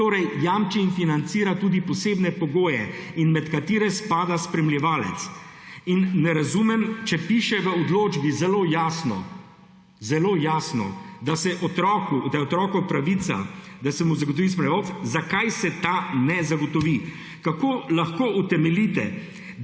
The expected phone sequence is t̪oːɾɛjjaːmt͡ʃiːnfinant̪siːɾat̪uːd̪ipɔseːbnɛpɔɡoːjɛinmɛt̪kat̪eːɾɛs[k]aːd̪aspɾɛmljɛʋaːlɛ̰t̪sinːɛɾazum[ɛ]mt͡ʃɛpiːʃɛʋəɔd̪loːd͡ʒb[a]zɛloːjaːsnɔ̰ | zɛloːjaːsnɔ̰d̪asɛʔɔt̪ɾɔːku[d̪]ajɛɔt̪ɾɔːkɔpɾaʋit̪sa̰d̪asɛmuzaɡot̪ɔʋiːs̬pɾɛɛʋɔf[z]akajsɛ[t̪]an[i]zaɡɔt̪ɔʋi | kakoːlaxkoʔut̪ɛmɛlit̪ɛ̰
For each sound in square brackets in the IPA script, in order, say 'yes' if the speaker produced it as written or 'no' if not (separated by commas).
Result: no, yes, no, yes, yes, yes, no